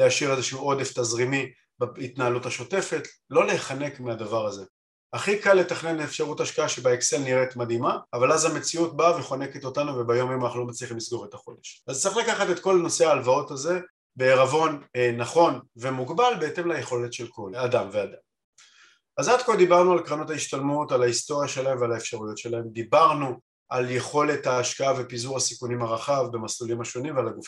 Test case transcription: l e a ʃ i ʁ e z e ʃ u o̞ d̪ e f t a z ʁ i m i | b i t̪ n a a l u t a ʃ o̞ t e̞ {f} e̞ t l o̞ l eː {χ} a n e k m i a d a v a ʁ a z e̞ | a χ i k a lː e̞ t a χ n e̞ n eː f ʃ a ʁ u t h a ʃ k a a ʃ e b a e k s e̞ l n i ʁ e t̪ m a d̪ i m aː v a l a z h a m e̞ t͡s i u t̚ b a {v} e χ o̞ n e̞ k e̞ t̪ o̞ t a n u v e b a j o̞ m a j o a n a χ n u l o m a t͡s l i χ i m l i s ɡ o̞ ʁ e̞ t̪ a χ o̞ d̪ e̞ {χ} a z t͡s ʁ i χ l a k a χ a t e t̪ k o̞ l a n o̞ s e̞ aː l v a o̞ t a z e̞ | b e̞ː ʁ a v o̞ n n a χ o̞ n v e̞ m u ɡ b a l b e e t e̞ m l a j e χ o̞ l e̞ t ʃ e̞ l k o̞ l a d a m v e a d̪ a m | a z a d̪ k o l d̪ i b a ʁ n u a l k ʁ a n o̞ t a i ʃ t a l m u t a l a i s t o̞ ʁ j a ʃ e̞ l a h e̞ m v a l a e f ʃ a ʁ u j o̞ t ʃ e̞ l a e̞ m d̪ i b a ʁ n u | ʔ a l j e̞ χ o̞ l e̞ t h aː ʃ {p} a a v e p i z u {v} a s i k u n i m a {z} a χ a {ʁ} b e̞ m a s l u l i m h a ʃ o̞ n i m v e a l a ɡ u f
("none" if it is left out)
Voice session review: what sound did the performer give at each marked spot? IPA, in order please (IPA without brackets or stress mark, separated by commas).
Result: f, χ, v, ʃ, k, ʁ, ʁ, v